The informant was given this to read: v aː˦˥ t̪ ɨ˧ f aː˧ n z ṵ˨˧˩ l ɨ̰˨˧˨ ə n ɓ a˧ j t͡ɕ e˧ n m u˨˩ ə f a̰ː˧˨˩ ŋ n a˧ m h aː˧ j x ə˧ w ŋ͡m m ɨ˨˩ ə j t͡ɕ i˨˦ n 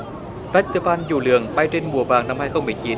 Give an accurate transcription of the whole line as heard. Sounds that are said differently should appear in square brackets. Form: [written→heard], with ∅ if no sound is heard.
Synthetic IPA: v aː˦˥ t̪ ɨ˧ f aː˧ n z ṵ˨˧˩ l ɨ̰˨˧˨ ə [n→ŋ] ɓ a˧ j t͡ɕ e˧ n m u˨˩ ə [f→v] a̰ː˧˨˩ ŋ n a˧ m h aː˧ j x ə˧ w ŋ͡m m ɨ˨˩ ə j t͡ɕ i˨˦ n

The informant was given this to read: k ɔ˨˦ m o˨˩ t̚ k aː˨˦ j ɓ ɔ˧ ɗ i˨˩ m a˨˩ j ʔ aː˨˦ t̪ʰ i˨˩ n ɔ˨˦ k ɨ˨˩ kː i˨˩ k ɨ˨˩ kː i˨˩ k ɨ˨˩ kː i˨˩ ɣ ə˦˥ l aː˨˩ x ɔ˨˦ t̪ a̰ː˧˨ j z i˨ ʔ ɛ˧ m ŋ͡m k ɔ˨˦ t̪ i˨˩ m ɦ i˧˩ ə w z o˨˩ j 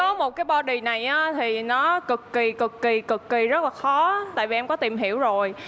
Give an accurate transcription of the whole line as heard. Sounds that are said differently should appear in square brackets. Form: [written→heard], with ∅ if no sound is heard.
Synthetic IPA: k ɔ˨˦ m o˨˩ t̚ k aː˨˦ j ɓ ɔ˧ ɗ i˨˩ [m→n] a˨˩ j ʔ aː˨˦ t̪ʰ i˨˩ n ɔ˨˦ k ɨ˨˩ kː i˨˩ k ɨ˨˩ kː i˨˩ k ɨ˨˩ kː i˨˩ [ɣ→z] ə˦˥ l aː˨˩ x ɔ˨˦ t̪ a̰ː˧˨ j [z→v] i˨ ʔ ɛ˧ m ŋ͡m k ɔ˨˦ t̪ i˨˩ m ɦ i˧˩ ə w z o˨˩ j

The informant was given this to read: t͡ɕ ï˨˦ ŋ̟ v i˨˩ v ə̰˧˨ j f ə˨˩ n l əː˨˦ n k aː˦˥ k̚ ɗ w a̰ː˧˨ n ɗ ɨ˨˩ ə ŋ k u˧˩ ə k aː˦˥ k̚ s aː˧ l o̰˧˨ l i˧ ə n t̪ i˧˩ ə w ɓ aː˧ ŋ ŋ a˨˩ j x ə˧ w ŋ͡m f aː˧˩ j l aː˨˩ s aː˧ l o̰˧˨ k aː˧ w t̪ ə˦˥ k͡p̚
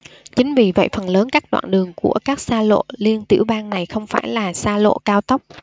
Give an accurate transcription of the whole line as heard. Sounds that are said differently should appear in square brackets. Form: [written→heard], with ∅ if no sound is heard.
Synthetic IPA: t͡ɕ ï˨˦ ŋ̟ v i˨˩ v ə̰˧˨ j f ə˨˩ n l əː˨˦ n k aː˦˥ k̚ ɗ w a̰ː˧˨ n ɗ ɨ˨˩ ə ŋ k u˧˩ ə k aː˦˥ k̚ s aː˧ l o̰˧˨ l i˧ ə n t̪ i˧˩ ə w ɓ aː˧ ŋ [ŋ→n] a˨˩ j x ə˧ w ŋ͡m f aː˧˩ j l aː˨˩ s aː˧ l o̰˧˨ k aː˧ w t̪ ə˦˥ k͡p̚

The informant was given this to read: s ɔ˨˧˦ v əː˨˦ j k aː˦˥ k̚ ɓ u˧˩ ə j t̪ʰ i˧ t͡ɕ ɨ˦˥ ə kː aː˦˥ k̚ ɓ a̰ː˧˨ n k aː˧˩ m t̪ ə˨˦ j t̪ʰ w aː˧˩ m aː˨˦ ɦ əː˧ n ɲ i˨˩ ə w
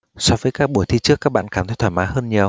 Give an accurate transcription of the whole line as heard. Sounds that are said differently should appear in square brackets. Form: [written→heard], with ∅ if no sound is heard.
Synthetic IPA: s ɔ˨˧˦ v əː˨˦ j k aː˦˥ k̚ ɓ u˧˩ ə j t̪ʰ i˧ t͡ɕ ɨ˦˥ ə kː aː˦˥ k̚ ɓ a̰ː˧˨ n k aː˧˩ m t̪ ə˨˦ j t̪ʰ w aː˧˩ m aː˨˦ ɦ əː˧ n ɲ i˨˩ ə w

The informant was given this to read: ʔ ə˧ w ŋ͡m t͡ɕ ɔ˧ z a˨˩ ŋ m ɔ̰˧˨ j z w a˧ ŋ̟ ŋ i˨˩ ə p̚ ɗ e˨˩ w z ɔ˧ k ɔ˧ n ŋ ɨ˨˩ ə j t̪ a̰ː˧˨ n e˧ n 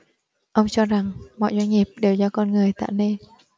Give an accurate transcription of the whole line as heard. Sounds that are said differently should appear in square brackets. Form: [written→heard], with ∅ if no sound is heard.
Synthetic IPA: ʔ ə˧ w ŋ͡m t͡ɕ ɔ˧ z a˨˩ ŋ m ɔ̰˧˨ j z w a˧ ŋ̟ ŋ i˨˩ ə p̚ ɗ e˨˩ w z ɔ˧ k ɔ˧ n ŋ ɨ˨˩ ə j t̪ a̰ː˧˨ n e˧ n

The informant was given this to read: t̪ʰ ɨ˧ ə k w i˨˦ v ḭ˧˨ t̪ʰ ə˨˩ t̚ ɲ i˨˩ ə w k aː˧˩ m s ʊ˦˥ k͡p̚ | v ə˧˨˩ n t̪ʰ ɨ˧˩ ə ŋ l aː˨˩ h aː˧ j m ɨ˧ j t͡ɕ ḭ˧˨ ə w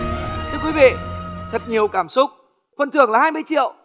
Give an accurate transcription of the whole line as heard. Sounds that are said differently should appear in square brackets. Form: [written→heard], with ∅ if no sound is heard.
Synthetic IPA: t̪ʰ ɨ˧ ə k w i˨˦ v ḭ˧˨ t̪ʰ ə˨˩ t̚ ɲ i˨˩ ə w k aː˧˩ m s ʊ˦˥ k͡p̚ | [v→f] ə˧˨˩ n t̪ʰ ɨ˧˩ ə ŋ l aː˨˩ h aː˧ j m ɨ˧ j t͡ɕ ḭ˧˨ ə w

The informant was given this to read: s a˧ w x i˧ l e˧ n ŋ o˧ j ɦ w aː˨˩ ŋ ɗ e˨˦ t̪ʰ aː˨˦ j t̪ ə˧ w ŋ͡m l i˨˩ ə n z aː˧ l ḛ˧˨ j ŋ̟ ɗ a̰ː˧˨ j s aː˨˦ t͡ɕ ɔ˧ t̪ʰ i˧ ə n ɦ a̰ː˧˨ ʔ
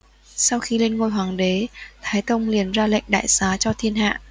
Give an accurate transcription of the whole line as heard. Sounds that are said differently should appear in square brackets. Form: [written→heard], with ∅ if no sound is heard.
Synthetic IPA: s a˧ w x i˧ l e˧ n ŋ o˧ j ɦ w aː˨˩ ŋ ɗ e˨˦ t̪ʰ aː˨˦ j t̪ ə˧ w ŋ͡m l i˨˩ ə n z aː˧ l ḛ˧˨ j ŋ̟ ɗ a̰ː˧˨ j s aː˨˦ t͡ɕ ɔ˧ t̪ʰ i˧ ə n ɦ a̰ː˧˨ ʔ

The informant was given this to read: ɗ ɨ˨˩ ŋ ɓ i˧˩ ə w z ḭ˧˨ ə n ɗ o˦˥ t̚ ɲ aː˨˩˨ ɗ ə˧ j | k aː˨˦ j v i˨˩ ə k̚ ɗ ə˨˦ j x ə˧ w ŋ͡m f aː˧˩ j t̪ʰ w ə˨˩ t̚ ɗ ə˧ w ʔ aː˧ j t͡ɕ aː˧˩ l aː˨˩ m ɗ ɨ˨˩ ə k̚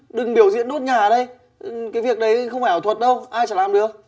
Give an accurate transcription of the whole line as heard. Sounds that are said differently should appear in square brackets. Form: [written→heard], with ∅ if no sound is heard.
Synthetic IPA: ɗ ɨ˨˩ ŋ ɓ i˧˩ ə w z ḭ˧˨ ə n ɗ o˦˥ t̚ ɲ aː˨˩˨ ɗ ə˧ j | k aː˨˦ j v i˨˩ ə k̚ ɗ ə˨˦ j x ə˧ w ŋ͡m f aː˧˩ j t̪ʰ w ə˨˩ t̚ ɗ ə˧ w ʔ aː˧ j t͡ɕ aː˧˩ l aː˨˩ m ɗ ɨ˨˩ ə k̚

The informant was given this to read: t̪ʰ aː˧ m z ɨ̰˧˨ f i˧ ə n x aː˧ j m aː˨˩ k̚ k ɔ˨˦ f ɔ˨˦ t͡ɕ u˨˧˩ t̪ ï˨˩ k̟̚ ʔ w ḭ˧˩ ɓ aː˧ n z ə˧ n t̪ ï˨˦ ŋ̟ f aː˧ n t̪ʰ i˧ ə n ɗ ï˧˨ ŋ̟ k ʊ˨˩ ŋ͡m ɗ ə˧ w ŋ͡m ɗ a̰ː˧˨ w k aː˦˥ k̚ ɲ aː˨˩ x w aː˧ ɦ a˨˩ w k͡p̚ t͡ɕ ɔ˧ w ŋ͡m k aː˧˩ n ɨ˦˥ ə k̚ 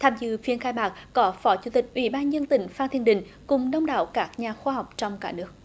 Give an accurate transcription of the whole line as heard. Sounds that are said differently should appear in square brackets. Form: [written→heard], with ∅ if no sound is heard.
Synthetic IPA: t̪ʰ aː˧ m z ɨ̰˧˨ f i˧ ə n x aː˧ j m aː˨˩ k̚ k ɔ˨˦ f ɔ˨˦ t͡ɕ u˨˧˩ t̪ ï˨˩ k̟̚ ʔ w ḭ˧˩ ɓ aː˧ n z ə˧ n t̪ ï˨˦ ŋ̟ f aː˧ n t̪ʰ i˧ ə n ɗ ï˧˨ ŋ̟ k ʊ˨˩ ŋ͡m ɗ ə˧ w ŋ͡m ɗ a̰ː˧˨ w k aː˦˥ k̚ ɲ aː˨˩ x w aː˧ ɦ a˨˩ w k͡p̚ t͡ɕ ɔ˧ w ŋ͡m k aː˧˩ n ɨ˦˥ ə k̚

